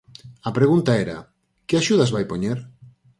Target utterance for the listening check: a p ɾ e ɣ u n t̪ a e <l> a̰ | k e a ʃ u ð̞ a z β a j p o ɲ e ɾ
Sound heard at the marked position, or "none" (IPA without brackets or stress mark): ɾ